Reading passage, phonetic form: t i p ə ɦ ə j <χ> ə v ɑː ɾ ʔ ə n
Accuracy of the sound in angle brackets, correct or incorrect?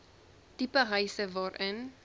incorrect